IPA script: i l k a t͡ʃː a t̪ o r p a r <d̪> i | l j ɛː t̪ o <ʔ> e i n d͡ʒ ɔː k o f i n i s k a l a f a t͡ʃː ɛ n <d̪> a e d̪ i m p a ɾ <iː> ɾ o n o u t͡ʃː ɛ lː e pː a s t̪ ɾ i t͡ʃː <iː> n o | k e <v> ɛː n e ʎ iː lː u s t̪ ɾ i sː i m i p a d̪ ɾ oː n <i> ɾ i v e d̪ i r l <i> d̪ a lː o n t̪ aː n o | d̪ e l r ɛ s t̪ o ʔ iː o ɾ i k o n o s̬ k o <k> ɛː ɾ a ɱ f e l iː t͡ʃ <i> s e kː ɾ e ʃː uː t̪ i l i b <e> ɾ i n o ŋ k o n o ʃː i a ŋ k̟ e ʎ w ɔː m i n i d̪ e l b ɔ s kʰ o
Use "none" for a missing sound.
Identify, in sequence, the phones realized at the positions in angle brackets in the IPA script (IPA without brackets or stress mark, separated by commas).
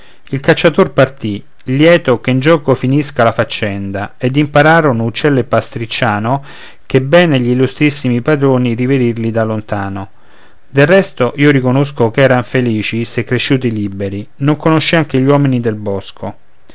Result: t̪, k, d̪, aː, aː, b, i, i, k, i, e